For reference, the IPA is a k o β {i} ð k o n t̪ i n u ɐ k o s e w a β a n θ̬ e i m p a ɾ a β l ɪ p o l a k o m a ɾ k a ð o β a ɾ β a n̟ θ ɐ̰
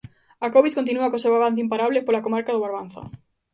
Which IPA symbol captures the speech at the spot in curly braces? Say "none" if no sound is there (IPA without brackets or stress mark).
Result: i